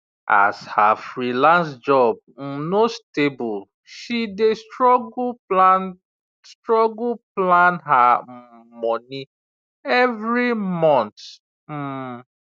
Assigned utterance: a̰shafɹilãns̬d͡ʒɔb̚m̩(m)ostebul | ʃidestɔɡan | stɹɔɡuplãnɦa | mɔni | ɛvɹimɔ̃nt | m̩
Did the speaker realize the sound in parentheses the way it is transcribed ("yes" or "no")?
no